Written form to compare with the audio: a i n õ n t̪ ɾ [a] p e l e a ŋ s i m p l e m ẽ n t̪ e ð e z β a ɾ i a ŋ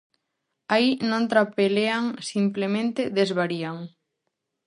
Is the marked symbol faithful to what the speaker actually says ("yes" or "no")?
yes